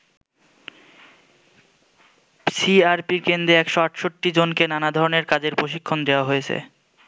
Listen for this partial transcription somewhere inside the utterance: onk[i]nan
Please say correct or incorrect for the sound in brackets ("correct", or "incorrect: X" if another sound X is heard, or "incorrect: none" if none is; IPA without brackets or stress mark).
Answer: incorrect: e